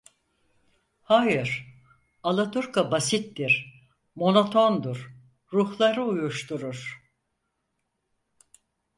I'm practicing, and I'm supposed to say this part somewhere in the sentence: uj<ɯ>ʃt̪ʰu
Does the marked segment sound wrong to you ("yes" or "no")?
yes